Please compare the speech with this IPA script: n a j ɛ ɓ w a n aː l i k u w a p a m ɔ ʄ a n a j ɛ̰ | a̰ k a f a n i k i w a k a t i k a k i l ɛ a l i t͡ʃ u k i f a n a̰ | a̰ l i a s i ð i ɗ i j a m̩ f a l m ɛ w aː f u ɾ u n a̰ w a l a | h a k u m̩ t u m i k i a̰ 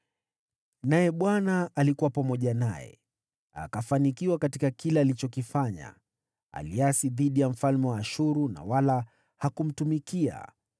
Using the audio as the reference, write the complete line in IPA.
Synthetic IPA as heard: n a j ɛ ɓ w a n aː l i k u w a p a m ɔ ʄ a n a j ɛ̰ | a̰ k a f a n i k i w a k a t i k a k i l ɛ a l i t͡ʃ ɔ k i f a ɲ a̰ | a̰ l i a s i ð i ɗ i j a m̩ f a l m ɛ w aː ʃ u ɾ u n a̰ w a l a | h a k u m̩ t u m i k i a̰